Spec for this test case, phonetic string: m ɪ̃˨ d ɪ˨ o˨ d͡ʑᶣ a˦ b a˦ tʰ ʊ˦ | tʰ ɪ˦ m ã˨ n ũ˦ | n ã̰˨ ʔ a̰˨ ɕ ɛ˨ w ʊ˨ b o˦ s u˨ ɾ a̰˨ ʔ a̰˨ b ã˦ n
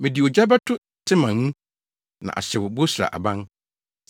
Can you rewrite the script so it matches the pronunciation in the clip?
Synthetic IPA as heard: m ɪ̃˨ d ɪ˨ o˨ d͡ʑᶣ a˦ b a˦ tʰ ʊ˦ | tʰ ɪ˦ m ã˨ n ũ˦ | n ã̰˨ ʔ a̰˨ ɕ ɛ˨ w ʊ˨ b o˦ s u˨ ɾ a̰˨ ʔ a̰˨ b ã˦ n